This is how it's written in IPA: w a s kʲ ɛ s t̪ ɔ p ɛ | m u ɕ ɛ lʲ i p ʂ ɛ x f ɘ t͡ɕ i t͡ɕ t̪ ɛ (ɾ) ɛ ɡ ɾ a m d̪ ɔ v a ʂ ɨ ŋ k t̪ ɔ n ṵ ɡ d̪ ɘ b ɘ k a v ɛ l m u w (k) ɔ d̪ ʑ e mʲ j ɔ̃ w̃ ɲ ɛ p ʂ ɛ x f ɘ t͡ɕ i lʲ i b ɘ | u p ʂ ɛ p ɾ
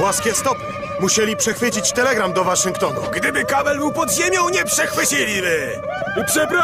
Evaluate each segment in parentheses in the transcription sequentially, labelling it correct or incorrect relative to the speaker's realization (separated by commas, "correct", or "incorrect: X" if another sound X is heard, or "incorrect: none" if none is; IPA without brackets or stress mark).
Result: incorrect: l, incorrect: p